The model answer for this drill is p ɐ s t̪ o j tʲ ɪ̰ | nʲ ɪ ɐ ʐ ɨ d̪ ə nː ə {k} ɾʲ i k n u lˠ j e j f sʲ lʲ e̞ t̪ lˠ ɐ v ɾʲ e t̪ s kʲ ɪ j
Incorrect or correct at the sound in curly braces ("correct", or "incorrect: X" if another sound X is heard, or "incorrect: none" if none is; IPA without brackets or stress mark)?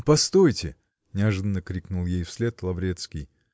correct